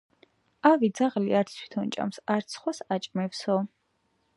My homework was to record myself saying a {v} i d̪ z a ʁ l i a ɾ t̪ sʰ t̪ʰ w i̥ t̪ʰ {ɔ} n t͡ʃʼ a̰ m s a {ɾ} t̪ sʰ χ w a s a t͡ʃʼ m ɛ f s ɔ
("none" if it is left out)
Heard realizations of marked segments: v, ɔ, ɾ

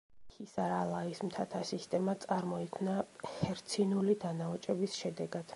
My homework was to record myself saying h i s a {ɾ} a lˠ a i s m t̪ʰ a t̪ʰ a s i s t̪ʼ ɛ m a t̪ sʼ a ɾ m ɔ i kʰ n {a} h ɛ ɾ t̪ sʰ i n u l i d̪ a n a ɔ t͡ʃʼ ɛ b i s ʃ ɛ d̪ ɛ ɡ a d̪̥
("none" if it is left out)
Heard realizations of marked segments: ɾ, a

